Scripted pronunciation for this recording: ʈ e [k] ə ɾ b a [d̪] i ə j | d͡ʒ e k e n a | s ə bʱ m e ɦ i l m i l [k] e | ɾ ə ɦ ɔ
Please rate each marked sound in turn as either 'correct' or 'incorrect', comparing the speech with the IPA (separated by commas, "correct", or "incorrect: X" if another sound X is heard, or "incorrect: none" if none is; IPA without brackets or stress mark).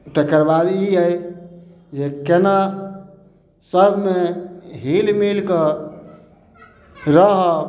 correct, correct, correct